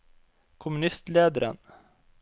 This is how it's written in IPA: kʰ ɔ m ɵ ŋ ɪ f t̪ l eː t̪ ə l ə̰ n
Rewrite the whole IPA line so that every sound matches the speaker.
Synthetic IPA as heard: kʰ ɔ m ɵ n ɪ s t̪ l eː d̪ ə ɾ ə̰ n